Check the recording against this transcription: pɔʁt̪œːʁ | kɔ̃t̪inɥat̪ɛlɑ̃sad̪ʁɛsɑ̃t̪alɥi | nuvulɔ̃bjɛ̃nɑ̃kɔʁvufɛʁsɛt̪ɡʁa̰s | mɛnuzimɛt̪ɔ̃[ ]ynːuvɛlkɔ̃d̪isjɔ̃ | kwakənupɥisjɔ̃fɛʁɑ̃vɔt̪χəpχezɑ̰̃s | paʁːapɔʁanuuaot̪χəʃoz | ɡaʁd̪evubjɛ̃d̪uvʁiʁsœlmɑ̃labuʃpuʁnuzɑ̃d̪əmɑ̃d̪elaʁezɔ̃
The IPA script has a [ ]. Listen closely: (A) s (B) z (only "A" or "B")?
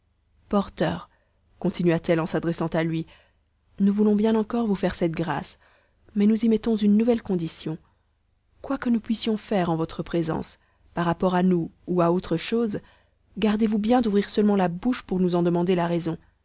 B